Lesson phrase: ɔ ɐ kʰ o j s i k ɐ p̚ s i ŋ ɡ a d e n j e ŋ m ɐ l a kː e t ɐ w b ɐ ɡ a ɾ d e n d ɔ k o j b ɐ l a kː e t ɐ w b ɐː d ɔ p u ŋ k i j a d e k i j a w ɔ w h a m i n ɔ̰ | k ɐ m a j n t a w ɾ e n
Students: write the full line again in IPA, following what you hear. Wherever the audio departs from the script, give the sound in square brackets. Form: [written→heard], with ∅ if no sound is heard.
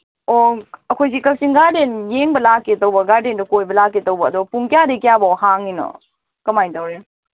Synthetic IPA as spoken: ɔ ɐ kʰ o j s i k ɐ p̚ s i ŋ ɡ a d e n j e ŋ [m→b] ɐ l a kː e t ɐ w b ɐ ɡ a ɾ d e n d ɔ k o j b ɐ l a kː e t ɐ w b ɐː d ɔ p u ŋ k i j a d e k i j a [w→b] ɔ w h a [m→ŋ] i n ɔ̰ | k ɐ m a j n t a w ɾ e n